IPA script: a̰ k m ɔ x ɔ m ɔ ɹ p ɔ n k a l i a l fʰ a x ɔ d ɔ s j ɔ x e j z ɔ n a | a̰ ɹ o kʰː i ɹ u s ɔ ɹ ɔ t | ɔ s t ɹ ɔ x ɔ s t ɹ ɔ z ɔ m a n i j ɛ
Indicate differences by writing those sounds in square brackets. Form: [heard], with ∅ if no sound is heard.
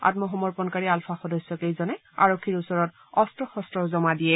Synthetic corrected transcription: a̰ [t] m ɔ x ɔ m ɔ ɹ p ɔ n k a [ɹ] i a l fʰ a x ɔ d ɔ s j ɔ [k] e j z ɔ n [ɛ] | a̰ ɹ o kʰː i ɹ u s ɔ ɹ ɔ t | ɔ s t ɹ ɔ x ɔ s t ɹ ɔ z ɔ m a [d] i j ɛ